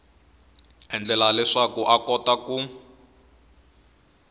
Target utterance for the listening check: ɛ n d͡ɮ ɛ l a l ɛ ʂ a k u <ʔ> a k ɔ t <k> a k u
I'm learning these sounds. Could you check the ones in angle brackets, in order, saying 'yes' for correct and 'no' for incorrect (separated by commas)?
yes, yes